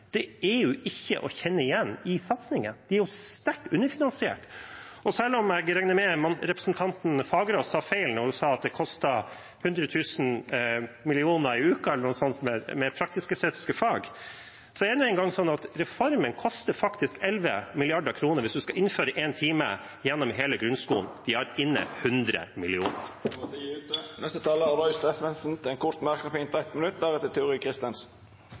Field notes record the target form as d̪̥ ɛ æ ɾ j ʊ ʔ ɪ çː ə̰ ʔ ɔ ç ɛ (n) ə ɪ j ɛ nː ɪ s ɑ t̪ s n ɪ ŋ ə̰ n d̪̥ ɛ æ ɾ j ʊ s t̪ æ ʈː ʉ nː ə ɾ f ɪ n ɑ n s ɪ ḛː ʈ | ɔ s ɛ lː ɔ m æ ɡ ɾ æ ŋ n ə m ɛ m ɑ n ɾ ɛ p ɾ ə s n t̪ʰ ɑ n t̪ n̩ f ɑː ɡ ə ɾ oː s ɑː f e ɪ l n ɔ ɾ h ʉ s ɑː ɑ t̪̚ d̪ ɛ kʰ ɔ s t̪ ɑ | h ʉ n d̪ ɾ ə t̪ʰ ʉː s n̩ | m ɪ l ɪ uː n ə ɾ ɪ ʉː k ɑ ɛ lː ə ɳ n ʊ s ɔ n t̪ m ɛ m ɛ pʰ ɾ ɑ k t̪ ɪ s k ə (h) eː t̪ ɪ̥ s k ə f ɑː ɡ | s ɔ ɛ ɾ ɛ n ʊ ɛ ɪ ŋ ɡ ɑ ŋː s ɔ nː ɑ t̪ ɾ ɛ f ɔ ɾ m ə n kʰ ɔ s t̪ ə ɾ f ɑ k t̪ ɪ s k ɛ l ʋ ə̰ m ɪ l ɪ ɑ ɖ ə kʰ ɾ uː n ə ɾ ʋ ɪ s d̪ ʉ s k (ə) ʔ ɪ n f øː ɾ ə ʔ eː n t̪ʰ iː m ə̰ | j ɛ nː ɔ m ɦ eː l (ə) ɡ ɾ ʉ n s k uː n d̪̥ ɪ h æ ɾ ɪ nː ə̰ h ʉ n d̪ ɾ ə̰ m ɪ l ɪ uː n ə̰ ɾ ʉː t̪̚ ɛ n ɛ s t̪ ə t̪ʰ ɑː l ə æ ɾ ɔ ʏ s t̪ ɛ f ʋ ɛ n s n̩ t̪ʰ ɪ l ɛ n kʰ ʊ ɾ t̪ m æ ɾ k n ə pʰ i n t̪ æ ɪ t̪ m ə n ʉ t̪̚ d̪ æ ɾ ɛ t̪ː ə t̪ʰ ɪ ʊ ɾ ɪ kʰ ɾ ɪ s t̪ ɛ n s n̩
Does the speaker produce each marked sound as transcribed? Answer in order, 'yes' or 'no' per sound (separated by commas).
no, no, no, yes